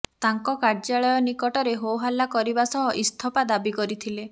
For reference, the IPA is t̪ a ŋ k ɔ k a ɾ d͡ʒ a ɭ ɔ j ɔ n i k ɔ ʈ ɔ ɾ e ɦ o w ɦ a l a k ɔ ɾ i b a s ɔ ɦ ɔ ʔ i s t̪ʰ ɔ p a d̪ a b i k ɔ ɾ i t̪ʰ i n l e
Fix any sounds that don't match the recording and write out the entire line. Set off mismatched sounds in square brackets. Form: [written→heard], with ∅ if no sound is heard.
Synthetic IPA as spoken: t̪ a ŋ k ɔ k a ɾ d͡ʒ a ɭ ɔ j ɔ n i k ɔ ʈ ɔ ɾ e ɦ o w ɦ a l a k ɔ ɾ i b a s ɔ ɦ ɔ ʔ i s t̪ʰ ɔ p a d̪ a b i k ɔ ɾ i t̪ʰ i [n→∅] l e